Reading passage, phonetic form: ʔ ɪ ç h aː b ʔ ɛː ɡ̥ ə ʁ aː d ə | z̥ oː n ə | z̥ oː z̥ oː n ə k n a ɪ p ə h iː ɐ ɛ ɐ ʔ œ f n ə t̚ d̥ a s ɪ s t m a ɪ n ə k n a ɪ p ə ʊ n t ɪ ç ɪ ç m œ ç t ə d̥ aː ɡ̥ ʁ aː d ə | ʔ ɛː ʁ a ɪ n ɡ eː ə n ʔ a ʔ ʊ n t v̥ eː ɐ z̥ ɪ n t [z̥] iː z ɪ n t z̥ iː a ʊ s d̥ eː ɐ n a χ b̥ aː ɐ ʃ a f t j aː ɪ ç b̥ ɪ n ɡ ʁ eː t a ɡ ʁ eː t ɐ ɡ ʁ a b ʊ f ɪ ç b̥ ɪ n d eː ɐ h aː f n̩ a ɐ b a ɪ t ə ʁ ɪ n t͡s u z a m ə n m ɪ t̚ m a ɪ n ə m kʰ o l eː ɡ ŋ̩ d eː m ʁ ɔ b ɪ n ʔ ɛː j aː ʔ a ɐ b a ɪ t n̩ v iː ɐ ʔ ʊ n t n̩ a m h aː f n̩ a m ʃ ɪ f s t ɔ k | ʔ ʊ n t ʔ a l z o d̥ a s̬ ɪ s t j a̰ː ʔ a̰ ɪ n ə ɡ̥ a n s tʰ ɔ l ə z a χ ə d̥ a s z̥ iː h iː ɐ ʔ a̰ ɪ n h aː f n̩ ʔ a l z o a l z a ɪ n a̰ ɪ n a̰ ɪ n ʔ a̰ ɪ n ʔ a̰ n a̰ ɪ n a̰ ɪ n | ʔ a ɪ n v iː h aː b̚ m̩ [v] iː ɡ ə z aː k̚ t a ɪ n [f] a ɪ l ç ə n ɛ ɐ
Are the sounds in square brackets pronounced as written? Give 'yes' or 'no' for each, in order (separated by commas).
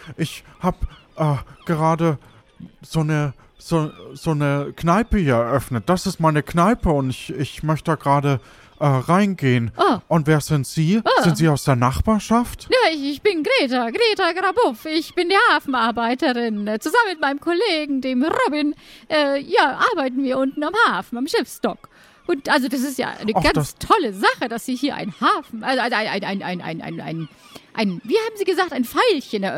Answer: yes, no, yes